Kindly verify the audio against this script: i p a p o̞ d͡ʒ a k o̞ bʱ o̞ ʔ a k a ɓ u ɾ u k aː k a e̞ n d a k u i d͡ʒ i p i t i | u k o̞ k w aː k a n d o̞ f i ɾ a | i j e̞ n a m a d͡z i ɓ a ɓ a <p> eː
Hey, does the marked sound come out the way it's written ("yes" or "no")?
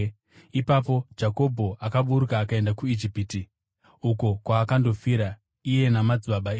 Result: no